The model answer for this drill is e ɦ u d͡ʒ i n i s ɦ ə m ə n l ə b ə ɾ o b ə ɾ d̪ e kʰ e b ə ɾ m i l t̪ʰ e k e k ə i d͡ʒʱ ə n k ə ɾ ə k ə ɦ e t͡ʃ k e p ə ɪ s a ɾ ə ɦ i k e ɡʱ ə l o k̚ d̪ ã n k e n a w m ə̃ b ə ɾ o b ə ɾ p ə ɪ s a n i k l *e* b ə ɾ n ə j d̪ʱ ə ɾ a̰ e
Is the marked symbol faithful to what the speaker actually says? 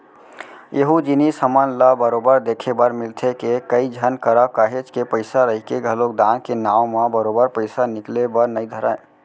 yes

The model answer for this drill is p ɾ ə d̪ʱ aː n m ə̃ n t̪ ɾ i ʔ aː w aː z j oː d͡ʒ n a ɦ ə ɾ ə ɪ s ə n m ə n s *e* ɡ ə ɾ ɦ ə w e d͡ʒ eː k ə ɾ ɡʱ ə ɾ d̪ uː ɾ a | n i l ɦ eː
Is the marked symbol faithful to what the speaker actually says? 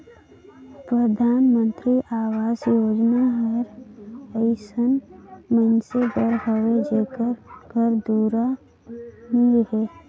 yes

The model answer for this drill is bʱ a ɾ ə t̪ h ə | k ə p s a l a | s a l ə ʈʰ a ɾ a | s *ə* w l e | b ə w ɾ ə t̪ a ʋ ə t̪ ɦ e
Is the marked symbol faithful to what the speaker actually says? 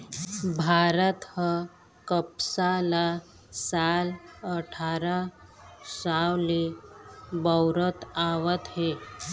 no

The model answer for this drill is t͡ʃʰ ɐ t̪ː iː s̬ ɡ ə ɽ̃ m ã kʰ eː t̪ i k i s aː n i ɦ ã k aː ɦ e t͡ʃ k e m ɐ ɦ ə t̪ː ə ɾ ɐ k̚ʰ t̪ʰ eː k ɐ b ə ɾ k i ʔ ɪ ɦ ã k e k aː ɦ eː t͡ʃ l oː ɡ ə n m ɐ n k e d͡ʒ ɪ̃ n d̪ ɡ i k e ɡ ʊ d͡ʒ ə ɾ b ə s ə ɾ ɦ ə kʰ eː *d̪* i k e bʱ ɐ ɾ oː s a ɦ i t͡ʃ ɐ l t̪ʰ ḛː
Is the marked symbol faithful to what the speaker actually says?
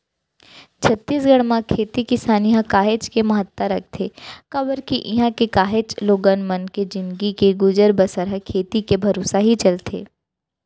no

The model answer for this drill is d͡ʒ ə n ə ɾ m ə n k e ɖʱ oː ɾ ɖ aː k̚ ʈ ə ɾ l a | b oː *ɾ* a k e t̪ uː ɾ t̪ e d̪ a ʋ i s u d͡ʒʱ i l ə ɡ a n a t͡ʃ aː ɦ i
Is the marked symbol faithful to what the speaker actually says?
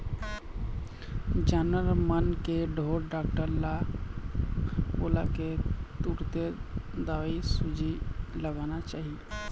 no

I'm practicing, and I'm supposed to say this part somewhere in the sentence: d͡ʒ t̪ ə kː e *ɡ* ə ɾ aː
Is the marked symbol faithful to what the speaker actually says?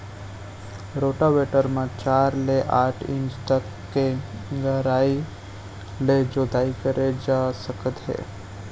yes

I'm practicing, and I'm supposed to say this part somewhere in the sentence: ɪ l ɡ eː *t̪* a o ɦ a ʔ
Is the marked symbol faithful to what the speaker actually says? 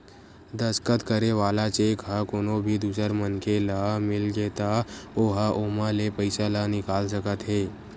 yes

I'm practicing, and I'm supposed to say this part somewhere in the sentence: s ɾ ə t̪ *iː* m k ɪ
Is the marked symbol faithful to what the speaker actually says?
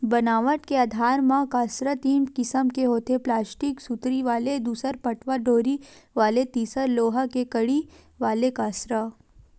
yes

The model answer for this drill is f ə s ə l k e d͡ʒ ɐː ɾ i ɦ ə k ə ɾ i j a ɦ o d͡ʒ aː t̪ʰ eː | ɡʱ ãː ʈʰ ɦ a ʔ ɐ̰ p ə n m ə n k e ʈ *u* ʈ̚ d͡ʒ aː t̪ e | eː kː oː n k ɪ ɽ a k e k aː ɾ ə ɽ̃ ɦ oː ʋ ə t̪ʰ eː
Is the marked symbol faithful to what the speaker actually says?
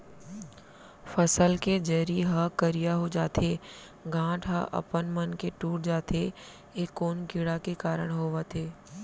no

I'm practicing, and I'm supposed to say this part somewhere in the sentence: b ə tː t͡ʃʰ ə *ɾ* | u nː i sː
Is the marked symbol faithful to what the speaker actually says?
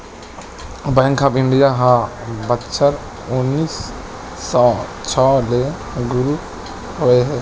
yes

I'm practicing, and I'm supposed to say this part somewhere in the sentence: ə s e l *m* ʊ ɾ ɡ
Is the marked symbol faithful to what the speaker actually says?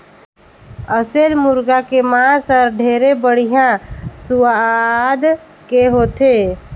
yes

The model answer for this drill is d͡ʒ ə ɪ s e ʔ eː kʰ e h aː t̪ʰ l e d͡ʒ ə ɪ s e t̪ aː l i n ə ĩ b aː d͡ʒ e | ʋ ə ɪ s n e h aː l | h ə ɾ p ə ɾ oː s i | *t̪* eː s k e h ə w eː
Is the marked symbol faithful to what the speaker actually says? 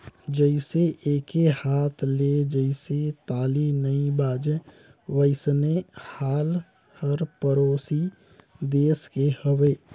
no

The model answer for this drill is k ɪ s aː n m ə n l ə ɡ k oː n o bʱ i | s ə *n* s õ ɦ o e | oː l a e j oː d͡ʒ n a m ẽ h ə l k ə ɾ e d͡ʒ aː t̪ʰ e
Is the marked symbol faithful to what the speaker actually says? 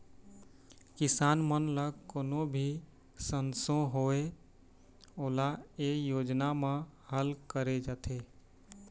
yes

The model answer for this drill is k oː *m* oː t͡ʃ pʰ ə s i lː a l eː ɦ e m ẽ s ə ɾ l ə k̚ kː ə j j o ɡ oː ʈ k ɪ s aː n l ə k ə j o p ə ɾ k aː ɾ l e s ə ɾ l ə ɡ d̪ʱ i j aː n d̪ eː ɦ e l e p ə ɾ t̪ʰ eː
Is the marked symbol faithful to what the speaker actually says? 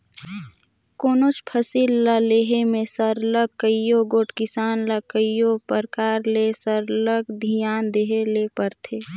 no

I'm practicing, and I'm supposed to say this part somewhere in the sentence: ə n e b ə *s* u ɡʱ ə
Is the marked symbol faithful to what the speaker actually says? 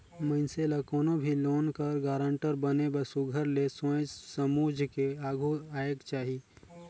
yes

